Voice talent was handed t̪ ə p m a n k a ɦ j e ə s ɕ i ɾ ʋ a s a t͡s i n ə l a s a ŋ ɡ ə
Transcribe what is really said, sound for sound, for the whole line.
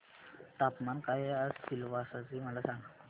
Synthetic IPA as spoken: t̪ a p m a n k a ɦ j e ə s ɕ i l ʋ a s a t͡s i m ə l a s a ŋ ɡ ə